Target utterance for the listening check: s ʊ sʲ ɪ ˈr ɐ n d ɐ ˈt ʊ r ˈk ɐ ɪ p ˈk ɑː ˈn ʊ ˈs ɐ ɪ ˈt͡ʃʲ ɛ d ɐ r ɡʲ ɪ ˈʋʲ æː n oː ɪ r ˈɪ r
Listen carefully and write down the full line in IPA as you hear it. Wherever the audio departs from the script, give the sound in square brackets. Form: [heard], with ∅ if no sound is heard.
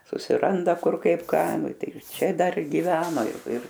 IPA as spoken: s ʊ sʲ ɪ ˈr ɐ n d ɐ [ˈk] ʊ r ˈk ɐ ɪ p ˈk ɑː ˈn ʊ [ˈt] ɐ ɪ ˈt͡ʃʲ ɛ d ɐ r ɡʲ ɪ ˈʋʲ æː n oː ɪ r ˈɪ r